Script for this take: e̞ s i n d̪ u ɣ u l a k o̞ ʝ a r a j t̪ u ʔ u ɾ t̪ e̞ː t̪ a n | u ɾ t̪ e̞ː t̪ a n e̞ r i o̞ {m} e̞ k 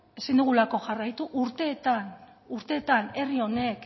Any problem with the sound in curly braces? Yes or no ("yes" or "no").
yes